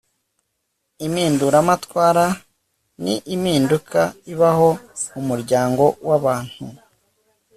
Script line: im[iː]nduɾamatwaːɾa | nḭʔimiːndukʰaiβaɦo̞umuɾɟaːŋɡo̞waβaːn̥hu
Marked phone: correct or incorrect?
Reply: correct